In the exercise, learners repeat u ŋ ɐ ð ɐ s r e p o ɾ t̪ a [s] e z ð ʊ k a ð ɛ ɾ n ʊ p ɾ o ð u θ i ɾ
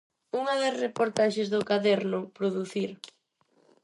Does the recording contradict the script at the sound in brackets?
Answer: yes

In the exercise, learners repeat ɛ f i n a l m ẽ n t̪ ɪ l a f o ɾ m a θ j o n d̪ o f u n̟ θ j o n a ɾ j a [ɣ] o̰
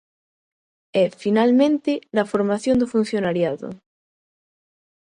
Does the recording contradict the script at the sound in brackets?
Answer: yes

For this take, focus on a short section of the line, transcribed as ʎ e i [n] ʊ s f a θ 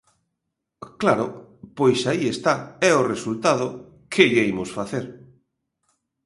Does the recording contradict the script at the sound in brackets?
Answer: yes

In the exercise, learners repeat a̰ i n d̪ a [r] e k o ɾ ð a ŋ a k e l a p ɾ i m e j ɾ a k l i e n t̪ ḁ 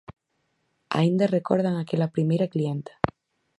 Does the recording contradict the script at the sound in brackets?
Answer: no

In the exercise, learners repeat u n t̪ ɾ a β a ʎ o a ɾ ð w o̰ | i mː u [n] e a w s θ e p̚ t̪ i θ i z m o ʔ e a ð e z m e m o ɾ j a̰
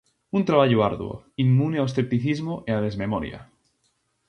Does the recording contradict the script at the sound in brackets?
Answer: no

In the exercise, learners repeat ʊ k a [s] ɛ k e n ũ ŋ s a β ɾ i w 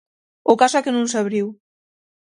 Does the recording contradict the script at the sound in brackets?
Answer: no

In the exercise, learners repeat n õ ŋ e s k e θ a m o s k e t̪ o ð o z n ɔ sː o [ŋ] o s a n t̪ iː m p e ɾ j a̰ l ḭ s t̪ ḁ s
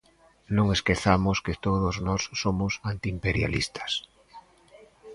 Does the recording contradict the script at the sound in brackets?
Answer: yes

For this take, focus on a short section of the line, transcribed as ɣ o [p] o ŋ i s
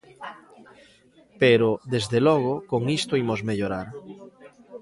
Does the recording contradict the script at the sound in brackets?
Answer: yes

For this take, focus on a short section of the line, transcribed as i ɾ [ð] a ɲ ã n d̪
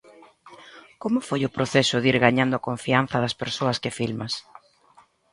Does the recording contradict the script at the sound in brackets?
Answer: yes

